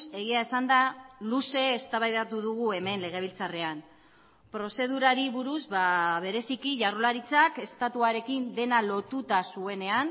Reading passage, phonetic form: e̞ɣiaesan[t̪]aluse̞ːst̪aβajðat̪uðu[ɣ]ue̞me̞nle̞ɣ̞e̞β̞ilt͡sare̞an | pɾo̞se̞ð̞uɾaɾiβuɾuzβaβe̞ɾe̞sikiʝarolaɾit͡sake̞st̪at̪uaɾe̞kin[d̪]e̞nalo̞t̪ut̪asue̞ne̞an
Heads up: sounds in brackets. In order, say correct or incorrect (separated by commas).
incorrect, correct, correct